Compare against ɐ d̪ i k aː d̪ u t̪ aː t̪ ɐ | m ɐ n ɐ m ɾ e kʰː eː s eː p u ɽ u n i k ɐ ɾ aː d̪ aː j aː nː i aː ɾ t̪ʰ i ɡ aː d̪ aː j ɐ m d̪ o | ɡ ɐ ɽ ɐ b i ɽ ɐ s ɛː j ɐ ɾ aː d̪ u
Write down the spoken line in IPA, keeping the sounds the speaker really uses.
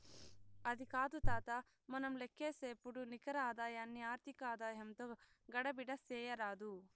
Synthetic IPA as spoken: ɐ d̪ i k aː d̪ u t̪ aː t̪ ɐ | m ɐ n ɐ m l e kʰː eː s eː p u ɽ u n i k ɐ ɾ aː d̪ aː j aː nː i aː ɾ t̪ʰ i k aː d̪ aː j ɐ m t̪ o | ɡ ɐ ɽ ɐ b i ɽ ɐ s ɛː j ɐ ɾ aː d̪ u